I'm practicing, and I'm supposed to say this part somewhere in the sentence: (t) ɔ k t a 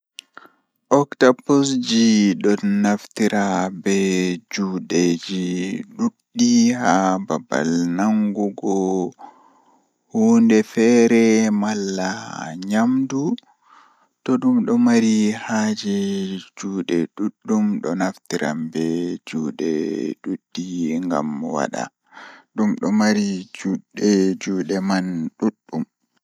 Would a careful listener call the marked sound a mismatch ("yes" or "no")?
yes